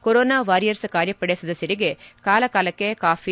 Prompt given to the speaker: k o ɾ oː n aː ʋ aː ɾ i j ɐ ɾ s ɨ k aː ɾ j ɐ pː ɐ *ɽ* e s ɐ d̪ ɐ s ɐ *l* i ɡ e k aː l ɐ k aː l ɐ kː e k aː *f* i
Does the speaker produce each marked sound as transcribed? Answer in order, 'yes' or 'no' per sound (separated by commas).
yes, no, yes